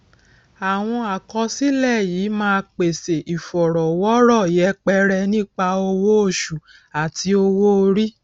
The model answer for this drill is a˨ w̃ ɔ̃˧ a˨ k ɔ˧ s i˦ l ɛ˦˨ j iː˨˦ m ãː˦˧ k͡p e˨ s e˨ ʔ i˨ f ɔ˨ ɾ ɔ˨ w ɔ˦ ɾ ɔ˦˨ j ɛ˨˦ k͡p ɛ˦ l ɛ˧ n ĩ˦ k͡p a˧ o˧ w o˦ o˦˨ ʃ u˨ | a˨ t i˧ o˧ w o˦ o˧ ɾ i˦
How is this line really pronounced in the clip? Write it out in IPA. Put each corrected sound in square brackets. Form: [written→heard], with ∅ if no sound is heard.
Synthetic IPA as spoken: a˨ w̃ ɔ̃˧ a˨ k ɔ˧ s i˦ l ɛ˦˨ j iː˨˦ m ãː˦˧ k͡p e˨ s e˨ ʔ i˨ f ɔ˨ ɾ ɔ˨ w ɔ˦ ɾ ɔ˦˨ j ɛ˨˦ k͡p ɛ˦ [l→ɾ] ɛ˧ n ĩ˦ k͡p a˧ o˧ w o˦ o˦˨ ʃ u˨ | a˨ t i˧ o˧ w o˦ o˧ ɾ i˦